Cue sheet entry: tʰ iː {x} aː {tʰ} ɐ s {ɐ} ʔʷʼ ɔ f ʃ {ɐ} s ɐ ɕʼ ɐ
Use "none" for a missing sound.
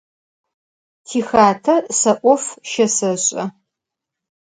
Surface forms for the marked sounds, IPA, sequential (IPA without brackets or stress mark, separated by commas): x, tʰ, ɐ, ɐ